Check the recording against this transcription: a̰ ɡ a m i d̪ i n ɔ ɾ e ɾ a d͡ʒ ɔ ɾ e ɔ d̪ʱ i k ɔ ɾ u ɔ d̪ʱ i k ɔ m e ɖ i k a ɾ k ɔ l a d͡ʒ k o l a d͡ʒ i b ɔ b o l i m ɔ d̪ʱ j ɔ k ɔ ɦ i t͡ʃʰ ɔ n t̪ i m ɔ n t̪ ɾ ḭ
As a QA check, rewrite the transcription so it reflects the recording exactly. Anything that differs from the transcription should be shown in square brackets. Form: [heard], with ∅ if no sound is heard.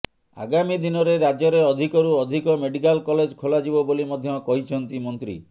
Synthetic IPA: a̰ ɡ a m i d̪ i n ɔ ɾ e ɾ a d͡ʒ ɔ ɾ e ɔ d̪ʱ i k ɔ ɾ u ɔ d̪ʱ i k ɔ m e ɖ i k a [l] k ɔ l [e] d͡ʒ [kʰ] o l a d͡ʒ i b ɔ b o l i m ɔ d̪ʱ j ɔ k ɔ ɦ i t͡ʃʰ ɔ n t̪ i m ɔ n t̪ ɾ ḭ